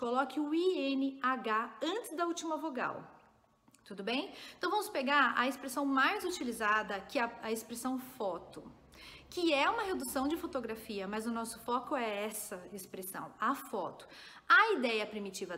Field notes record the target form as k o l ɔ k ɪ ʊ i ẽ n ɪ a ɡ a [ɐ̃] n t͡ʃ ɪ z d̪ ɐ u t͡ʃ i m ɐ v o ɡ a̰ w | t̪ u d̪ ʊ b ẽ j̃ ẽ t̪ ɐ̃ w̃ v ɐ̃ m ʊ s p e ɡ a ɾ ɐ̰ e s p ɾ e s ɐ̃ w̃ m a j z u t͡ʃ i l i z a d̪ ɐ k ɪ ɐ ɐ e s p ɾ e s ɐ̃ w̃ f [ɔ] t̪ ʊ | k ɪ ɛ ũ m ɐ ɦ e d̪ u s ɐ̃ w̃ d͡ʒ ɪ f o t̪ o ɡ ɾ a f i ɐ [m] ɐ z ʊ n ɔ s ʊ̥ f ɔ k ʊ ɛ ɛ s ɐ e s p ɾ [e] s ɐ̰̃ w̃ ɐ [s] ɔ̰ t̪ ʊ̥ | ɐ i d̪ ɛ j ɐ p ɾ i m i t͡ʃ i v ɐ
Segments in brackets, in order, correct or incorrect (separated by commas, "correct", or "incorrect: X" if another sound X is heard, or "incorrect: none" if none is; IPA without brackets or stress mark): correct, correct, correct, correct, incorrect: f